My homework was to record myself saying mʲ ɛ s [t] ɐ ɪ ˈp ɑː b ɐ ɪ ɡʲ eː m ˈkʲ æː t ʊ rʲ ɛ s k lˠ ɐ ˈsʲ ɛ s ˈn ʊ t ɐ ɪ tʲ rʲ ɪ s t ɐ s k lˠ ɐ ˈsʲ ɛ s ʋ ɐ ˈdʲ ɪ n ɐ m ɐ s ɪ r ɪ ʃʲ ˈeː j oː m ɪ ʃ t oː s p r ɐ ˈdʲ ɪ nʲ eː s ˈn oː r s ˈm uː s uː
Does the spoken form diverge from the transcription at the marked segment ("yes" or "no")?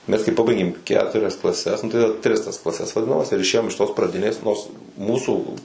yes